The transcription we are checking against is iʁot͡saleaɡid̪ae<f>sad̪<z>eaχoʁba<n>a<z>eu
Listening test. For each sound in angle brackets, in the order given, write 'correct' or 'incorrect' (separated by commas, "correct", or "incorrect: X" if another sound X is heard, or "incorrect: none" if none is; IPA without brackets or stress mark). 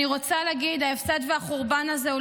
correct, incorrect: v, correct, correct